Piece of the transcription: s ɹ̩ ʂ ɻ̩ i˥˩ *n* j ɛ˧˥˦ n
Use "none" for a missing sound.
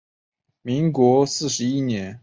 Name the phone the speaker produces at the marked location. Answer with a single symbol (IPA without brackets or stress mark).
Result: n